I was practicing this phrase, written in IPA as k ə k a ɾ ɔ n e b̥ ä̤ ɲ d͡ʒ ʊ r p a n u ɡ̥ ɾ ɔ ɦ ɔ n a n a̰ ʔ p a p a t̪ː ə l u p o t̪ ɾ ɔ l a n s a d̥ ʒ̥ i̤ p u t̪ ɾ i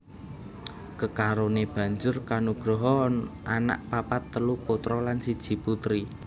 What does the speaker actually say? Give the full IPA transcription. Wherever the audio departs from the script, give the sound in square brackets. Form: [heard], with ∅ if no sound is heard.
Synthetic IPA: k ə k a ɾ [o] n e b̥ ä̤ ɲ d͡ʒ ʊ r [k] a n u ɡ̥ ɾ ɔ ɦ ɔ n a n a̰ ʔ p a p a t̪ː ə l u p o t̪ ɾ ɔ l a n s [i] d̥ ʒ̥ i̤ p u t̪ ɾ i